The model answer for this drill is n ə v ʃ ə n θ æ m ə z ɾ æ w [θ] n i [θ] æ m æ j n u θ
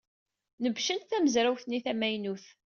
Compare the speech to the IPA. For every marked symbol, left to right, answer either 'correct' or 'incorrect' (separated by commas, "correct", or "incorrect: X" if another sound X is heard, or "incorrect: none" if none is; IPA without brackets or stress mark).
correct, correct